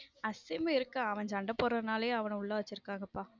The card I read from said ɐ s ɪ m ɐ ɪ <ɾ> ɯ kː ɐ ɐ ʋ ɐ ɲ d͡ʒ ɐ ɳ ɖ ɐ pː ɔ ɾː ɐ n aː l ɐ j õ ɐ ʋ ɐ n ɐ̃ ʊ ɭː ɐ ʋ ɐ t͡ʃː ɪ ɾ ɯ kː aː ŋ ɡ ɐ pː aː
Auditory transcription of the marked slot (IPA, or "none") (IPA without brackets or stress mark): ɾ